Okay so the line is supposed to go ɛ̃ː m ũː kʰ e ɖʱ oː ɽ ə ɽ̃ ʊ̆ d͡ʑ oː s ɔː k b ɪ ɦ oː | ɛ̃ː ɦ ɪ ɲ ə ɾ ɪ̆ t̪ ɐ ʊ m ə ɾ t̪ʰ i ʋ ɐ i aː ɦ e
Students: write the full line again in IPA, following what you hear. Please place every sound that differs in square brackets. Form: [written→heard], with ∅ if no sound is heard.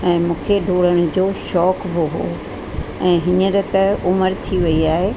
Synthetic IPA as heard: ɛ̃ː m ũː kʰ e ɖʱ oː ɽ ə ɽ̃ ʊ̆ d͡ʑ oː [s→ʃ] ɔː k b ɪ ɦ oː | ɛ̃ː ɦ ɪ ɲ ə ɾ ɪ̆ t̪ ɐ ʊ m ə ɾ t̪ʰ i ʋ ɐ i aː ɦ e

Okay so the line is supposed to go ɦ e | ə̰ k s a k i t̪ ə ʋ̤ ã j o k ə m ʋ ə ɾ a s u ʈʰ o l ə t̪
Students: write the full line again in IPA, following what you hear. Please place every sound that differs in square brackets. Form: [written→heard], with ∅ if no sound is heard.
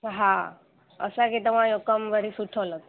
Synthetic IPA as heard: ɦ [e→a] | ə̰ [k→∅] s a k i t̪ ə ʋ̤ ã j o k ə m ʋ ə ɾ [a→i] s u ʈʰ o l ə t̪

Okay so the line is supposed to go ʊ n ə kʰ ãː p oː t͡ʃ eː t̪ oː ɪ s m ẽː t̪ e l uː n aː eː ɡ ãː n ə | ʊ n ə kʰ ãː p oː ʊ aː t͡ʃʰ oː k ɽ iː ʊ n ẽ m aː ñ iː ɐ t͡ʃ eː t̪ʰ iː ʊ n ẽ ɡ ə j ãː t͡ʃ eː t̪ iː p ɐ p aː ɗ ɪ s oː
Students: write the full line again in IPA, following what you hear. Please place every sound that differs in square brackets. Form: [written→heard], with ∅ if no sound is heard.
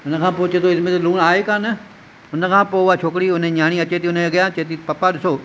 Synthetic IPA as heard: ʊ n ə kʰ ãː p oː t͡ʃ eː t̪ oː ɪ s m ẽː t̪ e l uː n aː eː [ɡ→k] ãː n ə | ʊ n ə kʰ ãː p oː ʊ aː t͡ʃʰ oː k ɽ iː ʊ n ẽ [m→ɲ] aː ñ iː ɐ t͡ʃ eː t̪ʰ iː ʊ n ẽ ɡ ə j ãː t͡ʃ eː t̪ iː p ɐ p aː ɗ ɪ s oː

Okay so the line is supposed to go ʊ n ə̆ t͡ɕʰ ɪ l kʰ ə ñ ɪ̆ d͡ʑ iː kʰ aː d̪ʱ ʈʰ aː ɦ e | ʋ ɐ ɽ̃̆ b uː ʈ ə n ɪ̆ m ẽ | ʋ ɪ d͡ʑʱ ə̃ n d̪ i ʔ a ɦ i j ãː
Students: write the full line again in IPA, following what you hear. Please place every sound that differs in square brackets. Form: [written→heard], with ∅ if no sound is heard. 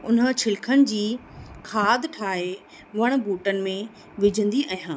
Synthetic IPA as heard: ʊ n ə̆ t͡ɕʰ ɪ l kʰ ə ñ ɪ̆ d͡ʑ iː kʰ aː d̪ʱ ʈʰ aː ɦ e | ʋ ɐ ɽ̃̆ b uː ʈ ə n ɪ̆ m ẽ | ʋ ɪ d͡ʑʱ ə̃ n d̪ i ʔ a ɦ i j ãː

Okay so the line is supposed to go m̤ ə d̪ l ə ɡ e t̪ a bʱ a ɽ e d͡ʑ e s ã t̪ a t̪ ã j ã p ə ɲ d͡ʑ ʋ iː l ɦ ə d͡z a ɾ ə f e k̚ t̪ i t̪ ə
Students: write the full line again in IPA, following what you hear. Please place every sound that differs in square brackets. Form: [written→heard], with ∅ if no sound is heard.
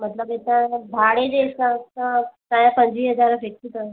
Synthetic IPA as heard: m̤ ə [d̪→t̪] l ə [ɡ→b] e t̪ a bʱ a ɽ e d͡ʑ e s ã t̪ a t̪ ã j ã p ə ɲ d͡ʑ ʋ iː [l→∅] ɦ ə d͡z a ɾ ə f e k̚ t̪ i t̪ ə

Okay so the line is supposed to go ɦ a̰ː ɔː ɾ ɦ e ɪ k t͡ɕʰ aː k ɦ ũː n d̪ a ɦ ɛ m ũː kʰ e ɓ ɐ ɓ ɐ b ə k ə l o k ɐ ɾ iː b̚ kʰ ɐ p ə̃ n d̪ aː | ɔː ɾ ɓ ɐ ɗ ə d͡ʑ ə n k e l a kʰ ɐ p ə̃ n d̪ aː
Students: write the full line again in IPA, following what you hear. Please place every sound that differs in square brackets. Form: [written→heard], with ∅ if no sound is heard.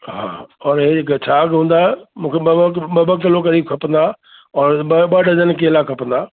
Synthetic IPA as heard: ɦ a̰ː ɔː ɾ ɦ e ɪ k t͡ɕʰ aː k ɦ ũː n d̪ a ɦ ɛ m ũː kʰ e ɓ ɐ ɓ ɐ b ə k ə l o k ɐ ɾ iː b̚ kʰ ɐ p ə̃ n d̪ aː | ɔː ɾ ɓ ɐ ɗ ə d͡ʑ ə n k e l a kʰ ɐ p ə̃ n d̪ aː

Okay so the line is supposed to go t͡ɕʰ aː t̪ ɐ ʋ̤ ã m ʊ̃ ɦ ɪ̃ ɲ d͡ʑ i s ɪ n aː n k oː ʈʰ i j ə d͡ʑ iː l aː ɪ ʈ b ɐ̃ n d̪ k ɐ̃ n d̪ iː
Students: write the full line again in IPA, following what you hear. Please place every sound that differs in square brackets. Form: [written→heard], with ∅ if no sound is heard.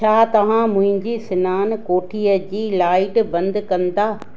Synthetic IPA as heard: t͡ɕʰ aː t̪ ɐ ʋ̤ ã m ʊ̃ ɦ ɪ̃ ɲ d͡ʑ i s ɪ n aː n k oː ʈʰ i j ə d͡ʑ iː l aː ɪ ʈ b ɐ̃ n d̪ k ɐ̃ n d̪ [iː→aː]

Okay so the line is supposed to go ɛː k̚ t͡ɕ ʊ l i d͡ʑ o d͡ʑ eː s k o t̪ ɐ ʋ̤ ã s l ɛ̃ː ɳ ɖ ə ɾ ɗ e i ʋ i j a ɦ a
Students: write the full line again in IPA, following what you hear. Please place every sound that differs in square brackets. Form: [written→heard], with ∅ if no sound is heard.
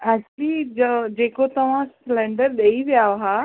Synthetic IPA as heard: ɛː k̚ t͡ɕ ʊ l i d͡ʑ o d͡ʑ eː [s→∅] k o t̪ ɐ ʋ̤ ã s l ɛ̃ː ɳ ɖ ə ɾ ɗ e i ʋ i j a ɦ a

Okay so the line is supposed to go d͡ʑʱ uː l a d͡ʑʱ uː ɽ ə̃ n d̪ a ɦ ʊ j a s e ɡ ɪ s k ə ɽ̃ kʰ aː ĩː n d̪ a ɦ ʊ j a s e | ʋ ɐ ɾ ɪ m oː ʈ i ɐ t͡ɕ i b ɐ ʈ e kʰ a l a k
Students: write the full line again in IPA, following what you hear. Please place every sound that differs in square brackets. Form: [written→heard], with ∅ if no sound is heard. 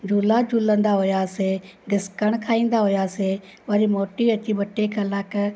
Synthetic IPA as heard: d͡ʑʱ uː l a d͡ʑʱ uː [ɽ→l] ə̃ n d̪ a ɦ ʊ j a s e ɡ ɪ s k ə ɽ̃ kʰ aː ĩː n d̪ a ɦ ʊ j a s e | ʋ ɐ ɾ [ɪ→i] m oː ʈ i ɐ t͡ɕ i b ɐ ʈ e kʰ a l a k

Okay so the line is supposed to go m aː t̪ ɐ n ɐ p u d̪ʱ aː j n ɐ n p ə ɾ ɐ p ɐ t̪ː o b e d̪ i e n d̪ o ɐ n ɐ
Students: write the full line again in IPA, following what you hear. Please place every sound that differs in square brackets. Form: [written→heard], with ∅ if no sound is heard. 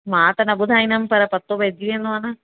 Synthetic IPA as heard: m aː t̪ ɐ n ɐ [p→b] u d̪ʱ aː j n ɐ [n→m] p [ə→ɐ] ɾ ɐ p ɐ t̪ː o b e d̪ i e n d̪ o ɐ n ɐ

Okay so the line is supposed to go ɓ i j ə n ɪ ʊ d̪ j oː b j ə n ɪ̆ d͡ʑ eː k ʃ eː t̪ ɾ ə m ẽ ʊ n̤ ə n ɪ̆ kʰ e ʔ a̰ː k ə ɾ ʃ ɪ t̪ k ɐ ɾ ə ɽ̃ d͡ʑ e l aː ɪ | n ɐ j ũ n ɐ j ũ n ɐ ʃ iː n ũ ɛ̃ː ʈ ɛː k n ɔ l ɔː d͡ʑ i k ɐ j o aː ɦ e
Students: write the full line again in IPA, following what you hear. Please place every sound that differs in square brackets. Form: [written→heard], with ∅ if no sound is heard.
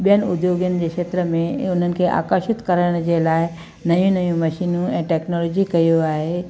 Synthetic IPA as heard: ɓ i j ə n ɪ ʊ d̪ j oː [b→ɡ] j ə n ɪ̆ d͡ʑ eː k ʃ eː t̪ ɾ ə m ẽ ʊ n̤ ə n ɪ̆ kʰ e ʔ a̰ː k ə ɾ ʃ ɪ t̪ k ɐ ɾ ə ɽ̃ d͡ʑ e l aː ɪ | n ɐ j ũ n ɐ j ũ [n→m] ɐ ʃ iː n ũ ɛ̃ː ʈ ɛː k n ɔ l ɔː d͡ʑ i k ɐ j o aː ɦ e

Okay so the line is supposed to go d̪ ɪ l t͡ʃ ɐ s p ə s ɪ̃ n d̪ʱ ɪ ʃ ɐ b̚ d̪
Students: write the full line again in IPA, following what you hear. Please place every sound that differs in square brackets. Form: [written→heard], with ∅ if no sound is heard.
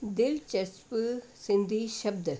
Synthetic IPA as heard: d̪ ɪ l t͡ʃ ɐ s p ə s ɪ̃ n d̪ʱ [ɪ→i] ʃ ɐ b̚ d̪

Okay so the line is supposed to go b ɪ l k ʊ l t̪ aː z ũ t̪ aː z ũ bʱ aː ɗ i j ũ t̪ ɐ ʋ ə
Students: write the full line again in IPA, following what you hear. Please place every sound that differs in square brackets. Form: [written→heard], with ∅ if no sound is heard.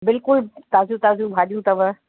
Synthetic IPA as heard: b ɪ l k ʊ l t̪ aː z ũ t̪ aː z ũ bʱ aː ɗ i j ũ t̪ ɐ ʋ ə

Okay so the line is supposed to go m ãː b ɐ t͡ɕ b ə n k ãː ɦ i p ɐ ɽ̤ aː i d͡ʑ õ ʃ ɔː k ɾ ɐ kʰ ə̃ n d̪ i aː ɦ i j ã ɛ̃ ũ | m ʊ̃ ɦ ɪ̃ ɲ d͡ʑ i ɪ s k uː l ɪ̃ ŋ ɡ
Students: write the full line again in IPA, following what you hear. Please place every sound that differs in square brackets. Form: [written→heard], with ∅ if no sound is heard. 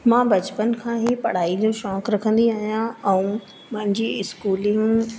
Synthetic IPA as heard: m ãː b ɐ t͡ɕ [b→p] ə n [k→kʰ] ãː ɦ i p ɐ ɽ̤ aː i d͡ʑ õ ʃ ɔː k ɾ ɐ kʰ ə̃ n d̪ i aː ɦ i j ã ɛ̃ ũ | m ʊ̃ ɦ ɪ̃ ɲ d͡ʑ i ɪ s k uː l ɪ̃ ŋ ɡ

